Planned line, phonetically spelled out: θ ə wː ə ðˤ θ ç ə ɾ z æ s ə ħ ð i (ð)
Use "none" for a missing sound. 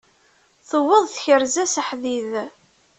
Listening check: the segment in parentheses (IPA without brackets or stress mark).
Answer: ð